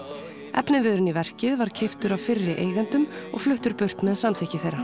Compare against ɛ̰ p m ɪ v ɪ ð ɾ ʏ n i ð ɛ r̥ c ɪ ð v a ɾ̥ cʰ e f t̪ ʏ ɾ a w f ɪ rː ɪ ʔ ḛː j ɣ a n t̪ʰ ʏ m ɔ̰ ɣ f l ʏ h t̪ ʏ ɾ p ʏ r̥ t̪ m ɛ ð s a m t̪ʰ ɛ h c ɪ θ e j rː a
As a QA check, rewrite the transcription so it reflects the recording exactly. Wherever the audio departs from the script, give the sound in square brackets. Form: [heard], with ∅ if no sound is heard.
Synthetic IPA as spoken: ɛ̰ p [n] ɪ v ɪ ð ɾ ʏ n i [v] ɛ r̥ c ɪ ð v a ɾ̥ cʰ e f t̪ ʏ ɾ a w f ɪ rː ɪ ʔ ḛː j ɣ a n [t̪] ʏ m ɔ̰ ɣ f l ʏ h t̪ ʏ ɾ p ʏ r̥ t̪ m ɛ ð s a m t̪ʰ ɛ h c ɪ θ e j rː a